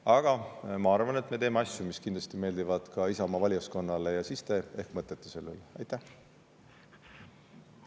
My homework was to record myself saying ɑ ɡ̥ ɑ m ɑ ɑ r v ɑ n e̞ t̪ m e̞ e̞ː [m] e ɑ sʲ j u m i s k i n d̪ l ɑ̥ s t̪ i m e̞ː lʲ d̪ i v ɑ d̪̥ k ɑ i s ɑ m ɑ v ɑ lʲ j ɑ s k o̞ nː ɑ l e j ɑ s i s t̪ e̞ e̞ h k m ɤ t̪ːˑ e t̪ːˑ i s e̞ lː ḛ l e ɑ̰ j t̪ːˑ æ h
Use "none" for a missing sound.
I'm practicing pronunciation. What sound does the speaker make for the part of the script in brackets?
m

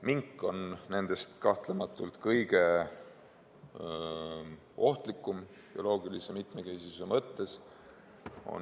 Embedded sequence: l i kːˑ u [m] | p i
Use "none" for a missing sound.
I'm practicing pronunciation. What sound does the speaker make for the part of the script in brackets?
m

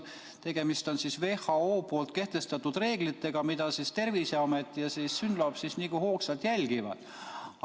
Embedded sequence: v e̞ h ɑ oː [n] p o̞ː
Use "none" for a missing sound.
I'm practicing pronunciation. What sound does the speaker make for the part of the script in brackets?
none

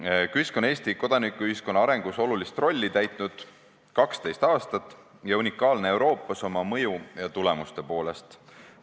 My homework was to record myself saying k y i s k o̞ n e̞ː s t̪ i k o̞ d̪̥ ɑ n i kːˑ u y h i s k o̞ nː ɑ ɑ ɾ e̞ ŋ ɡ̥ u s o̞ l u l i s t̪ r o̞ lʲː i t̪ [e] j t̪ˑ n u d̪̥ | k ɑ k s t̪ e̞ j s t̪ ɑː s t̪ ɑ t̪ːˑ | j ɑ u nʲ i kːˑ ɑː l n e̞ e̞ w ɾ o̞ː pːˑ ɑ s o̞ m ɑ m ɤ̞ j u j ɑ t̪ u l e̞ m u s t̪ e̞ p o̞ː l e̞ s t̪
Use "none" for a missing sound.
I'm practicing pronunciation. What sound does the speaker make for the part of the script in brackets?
æ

